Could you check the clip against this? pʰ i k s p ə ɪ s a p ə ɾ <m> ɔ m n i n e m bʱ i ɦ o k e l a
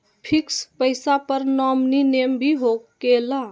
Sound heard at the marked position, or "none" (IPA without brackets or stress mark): n